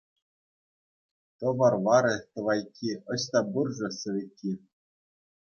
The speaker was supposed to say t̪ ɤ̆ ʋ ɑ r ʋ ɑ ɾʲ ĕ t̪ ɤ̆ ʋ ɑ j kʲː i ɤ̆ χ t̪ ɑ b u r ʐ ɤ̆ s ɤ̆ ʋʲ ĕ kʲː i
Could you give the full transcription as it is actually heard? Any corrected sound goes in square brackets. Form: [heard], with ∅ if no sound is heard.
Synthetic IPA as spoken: t̪ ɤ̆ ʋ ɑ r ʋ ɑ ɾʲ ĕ t̪ ɤ̆ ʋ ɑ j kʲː i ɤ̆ [ɕ] t̪ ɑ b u r ʐ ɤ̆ s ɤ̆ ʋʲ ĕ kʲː i

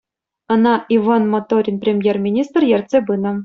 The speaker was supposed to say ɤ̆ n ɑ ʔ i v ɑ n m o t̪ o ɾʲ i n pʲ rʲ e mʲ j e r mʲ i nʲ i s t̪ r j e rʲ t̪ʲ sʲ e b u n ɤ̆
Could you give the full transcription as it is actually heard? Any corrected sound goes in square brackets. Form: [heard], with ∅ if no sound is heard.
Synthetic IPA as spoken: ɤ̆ n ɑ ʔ i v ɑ n m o t̪ o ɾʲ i n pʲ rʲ e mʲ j e r mʲ i nʲ i s t̪ r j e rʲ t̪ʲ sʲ e b [ɯ] n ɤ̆

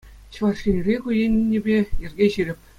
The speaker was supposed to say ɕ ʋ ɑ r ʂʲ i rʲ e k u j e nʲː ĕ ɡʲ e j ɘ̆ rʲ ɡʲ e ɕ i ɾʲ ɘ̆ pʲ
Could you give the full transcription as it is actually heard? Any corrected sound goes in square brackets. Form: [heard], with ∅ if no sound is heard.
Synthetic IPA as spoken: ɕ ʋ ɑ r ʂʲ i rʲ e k u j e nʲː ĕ [bʲ] e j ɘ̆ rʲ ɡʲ e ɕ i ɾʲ ɘ̆ pʲ

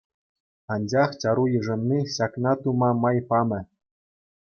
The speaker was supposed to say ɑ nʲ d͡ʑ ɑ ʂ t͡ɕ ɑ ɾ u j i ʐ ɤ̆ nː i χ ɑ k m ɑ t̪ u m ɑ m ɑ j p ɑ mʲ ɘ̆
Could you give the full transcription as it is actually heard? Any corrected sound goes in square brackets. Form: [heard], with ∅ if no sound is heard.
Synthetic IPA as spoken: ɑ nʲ d͡ʑ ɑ [χ] t͡ɕ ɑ ɾ u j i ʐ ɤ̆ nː i [ɕ] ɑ k [n] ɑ t̪ u m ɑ m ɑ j p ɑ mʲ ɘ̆

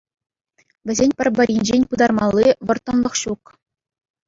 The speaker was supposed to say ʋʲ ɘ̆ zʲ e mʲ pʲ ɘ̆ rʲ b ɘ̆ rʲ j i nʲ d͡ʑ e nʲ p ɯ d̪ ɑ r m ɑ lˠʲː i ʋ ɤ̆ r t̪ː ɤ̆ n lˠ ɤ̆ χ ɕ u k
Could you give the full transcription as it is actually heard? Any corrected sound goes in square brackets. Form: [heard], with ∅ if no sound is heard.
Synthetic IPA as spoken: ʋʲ ɘ̆ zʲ e [nʲ] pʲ ɘ̆ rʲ b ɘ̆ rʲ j i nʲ d͡ʑ e nʲ p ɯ d̪ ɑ r m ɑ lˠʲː i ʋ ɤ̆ r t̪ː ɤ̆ n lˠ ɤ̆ χ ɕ u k

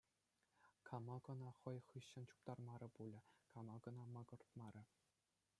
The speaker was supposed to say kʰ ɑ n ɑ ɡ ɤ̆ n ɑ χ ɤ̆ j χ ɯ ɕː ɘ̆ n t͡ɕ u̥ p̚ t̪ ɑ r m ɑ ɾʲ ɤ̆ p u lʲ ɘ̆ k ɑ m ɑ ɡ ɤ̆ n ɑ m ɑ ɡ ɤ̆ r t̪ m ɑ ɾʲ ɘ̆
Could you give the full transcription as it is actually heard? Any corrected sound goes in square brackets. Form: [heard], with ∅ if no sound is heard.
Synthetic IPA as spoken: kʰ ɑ [m] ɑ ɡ ɤ̆ n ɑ χ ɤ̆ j χ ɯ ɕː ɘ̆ n t͡ɕ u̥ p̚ t̪ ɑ r m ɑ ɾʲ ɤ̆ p u lʲ ɘ̆ k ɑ m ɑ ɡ ɤ̆ n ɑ m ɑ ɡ ɤ̆ r t̪ m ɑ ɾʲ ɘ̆

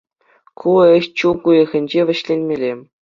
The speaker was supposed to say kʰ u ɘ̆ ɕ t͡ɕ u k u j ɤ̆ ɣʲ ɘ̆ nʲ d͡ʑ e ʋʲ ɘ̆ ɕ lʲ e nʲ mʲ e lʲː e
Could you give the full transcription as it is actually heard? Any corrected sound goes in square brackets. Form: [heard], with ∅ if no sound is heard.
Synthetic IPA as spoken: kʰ u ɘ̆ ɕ t͡ɕ u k u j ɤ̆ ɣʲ ɘ̆ nʲ d͡ʑ e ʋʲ ɘ̆ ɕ lʲ e nʲ mʲ e [lʲ] e

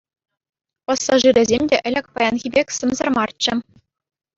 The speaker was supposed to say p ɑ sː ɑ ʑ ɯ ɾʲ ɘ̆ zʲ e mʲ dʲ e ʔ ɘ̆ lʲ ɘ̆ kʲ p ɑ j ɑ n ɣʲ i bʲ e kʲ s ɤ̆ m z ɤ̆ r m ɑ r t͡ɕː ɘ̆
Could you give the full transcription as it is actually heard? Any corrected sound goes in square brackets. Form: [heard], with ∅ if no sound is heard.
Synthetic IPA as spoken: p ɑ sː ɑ [ʐ] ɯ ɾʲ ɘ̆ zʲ e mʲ dʲ e ʔ ɘ̆ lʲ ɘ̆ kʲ p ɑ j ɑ n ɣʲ i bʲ e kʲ s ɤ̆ m z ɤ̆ r m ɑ r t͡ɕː ɘ̆

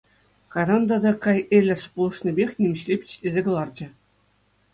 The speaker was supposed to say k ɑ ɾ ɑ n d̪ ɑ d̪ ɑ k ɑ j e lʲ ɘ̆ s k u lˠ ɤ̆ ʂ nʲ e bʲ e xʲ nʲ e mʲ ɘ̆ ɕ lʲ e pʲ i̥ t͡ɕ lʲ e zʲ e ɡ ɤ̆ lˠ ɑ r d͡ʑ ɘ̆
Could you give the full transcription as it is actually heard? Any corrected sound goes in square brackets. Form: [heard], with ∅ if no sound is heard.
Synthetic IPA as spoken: k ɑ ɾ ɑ n d̪ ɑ d̪ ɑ k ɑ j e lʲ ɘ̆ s [p] u lˠ ɤ̆ ʂ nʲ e bʲ e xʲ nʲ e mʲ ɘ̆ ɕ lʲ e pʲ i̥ t͡ɕ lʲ e zʲ e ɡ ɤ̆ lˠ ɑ r d͡ʑ ɘ̆

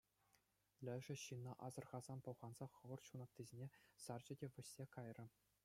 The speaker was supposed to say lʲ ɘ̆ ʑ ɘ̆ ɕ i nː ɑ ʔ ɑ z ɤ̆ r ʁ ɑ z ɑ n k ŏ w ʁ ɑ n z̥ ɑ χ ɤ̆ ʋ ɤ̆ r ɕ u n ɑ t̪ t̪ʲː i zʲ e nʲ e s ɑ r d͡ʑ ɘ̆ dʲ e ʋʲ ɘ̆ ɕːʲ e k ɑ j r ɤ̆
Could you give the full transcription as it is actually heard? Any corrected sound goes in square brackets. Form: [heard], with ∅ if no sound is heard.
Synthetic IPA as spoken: lʲ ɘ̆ [ʐ] ɘ̆ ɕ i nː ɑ ʔ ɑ z ɤ̆ r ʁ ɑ z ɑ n [p] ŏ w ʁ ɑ n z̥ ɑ χ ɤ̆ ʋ ɤ̆ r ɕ u n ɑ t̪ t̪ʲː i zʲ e nʲ e s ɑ r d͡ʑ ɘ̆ dʲ e ʋʲ ɘ̆ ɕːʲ e k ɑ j r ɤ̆

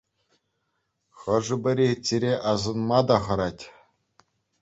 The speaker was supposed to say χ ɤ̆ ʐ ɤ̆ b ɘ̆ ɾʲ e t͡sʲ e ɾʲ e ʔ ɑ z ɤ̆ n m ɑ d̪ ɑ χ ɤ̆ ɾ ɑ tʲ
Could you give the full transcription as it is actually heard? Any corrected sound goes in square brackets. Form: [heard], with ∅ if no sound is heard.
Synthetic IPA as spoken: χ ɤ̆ ʐ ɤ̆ b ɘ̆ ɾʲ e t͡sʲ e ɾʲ e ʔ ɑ z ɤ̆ n m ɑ d̪ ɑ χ ɤ̆ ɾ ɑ tʲ

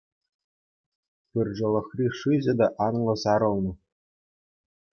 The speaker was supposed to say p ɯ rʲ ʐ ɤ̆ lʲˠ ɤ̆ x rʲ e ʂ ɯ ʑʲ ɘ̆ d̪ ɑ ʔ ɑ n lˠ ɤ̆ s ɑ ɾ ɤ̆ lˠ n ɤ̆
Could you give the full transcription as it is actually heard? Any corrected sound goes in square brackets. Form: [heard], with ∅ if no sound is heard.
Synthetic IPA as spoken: p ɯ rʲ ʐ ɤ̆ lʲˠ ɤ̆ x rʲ [i] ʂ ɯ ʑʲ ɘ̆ d̪ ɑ ʔ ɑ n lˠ ɤ̆ s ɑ ɾ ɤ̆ lˠ n ɤ̆

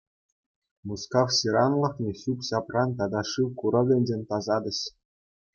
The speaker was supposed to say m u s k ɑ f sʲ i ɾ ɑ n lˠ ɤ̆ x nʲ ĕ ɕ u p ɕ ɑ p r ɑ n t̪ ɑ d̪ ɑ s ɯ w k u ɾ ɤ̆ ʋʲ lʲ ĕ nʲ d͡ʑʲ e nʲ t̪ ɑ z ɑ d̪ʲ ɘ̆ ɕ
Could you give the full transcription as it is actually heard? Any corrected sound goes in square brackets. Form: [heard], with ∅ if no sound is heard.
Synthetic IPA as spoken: m u s k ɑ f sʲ i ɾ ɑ n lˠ ɤ̆ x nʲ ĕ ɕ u p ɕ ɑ p r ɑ n t̪ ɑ d̪ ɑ [ʂ] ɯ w k u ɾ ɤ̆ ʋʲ lʲ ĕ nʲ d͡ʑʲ e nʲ t̪ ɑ z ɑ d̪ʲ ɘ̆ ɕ

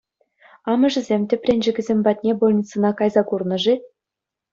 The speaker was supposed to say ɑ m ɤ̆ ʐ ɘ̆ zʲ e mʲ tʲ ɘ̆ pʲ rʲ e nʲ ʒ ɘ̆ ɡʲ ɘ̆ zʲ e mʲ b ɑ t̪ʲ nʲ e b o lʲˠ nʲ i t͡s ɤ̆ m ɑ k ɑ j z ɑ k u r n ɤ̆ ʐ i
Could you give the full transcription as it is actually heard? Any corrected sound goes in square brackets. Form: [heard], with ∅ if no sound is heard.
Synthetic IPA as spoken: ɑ m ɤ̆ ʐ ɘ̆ zʲ e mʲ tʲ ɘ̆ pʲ rʲ e nʲ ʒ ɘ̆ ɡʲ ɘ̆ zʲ e mʲ b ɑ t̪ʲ nʲ e b o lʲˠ nʲ i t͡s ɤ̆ [n] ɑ k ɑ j z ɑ k u r n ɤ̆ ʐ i

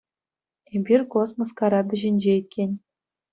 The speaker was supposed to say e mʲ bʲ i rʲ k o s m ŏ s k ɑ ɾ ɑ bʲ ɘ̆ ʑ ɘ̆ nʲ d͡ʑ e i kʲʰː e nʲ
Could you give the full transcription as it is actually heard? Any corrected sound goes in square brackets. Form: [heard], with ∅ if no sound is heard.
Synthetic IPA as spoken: e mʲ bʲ i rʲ k o s m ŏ s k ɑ ɾ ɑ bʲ ɘ̆ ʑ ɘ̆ nʲ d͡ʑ e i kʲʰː e nʲ

